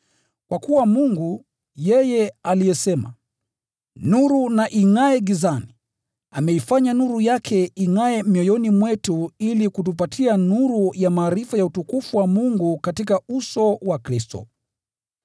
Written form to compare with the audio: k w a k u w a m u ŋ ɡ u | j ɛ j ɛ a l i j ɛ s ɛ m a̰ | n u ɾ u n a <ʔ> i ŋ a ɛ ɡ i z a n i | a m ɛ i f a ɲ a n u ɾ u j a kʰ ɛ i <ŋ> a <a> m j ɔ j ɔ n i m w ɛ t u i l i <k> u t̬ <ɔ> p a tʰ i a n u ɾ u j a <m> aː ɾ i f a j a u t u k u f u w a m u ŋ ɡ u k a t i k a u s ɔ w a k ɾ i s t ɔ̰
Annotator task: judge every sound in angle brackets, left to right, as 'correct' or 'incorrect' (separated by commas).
correct, correct, incorrect, correct, incorrect, correct